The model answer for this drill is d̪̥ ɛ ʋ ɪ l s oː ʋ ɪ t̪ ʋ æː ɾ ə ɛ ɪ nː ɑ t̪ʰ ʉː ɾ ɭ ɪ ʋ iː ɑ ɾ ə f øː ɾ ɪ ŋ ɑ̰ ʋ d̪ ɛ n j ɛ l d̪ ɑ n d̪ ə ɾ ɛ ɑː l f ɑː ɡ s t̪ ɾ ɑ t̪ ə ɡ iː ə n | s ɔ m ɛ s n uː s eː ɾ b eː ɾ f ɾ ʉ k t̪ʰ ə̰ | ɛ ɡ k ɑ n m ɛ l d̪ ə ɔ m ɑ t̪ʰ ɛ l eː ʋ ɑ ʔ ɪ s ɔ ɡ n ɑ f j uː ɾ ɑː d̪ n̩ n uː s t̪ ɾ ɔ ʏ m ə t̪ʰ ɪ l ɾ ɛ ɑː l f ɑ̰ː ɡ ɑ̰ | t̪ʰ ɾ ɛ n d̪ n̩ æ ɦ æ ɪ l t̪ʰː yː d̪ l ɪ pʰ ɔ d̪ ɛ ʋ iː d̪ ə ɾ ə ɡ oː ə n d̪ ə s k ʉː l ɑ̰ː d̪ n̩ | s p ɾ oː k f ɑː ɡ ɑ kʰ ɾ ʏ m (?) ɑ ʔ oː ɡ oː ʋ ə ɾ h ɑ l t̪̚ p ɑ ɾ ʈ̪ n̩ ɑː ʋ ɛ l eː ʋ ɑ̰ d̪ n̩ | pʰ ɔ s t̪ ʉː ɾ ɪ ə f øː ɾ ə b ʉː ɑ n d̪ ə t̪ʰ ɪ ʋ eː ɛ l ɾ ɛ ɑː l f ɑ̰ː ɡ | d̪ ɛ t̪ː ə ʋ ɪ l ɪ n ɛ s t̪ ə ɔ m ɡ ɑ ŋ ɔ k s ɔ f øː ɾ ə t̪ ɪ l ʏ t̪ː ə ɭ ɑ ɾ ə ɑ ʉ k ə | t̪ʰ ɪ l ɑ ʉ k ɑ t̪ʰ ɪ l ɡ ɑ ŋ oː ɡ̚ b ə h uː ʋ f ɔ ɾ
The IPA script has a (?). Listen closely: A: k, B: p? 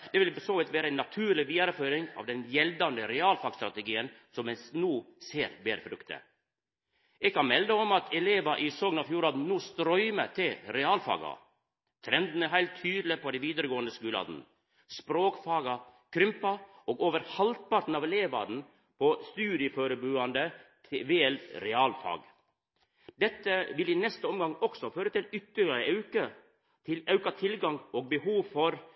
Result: B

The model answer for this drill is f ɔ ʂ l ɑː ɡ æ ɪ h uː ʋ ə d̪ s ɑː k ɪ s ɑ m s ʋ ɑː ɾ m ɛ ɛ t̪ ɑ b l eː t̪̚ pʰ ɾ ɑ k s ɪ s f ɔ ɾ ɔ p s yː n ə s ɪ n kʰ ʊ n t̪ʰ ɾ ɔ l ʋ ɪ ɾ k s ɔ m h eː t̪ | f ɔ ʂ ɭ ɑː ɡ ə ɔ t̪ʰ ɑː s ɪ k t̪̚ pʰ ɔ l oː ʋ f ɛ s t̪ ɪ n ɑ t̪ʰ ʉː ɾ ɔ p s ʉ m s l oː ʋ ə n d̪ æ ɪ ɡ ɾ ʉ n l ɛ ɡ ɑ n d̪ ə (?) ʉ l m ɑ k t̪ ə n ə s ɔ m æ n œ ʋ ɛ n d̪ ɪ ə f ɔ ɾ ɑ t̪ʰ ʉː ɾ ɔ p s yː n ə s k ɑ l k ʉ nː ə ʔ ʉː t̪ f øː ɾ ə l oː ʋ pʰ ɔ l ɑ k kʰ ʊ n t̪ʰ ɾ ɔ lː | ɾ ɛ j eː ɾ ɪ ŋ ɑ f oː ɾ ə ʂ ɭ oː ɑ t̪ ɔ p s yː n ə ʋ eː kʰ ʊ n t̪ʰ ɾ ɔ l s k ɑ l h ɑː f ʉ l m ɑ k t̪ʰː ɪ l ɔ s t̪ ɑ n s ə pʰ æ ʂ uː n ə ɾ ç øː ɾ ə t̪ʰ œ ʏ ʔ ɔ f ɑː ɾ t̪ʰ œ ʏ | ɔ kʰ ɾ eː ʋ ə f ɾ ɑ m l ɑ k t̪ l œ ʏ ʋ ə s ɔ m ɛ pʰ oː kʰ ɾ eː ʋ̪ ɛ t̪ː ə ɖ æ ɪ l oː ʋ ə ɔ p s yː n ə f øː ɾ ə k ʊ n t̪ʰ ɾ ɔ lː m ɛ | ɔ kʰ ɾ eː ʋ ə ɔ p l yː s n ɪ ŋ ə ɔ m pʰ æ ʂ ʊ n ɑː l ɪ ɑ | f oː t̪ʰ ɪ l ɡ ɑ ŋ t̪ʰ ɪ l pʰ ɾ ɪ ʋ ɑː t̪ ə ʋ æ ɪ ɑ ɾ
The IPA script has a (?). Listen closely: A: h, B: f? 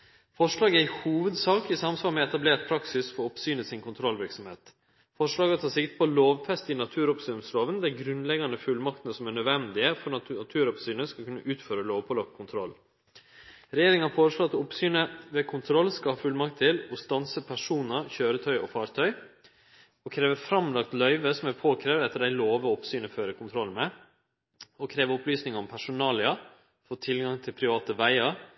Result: B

